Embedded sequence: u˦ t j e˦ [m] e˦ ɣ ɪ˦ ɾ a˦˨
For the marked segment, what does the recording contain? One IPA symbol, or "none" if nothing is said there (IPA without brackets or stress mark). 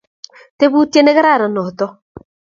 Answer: n